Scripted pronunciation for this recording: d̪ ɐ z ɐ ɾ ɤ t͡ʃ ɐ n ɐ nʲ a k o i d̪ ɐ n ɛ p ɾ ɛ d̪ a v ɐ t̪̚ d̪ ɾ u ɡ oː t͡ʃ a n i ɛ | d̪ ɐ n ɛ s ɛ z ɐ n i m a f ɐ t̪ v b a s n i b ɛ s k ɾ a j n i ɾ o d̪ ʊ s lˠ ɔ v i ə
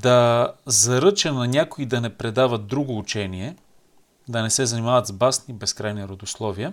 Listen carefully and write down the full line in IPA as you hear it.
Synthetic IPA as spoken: d̪ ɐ z ɐ ɾ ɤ t͡ʃ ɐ n ɐ nʲ a k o i d̪ ɐ n ɛ p ɾ ɛ d̪ a v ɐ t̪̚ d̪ ɾ u ɡ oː t͡ʃ ɛ n i ɛ | d̪ ɐ n ɛ s ɛ z ɐ n i m a v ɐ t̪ z b a s n i b ɛ s k ɾ a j n i ɾ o d̪ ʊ s lˠ ɔ v i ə